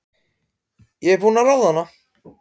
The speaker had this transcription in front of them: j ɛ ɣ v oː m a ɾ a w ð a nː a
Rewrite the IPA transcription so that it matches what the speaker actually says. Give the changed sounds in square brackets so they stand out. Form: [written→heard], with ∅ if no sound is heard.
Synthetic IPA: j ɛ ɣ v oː [m→n] a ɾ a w ð a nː a